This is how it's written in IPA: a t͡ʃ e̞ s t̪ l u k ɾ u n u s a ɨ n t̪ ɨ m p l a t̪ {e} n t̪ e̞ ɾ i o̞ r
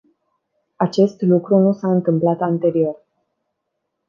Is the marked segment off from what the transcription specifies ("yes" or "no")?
yes